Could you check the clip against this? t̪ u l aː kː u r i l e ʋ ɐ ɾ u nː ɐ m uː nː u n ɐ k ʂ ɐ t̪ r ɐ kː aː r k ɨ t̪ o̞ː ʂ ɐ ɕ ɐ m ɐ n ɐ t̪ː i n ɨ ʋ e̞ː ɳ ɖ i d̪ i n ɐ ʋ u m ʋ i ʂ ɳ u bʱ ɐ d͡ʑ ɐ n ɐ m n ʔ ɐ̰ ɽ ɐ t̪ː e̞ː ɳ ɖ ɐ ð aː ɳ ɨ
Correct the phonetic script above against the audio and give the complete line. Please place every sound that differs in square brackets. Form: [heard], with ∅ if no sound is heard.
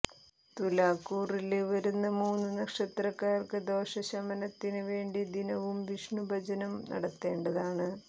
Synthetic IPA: t̪ u l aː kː [uː] r i l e ʋ ɐ ɾ u nː ɐ m uː nː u n ɐ k ʂ ɐ t̪ r ɐ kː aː r k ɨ [d̪] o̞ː ʂ ɐ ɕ ɐ m ɐ n ɐ t̪ː i n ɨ ʋ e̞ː ɳ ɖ i d̪ i n ɐ ʋ u m ʋ i ʂ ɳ u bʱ ɐ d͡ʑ ɐ n ɐ m n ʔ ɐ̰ ɽ ɐ t̪ː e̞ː ɳ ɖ ɐ ð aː ɳ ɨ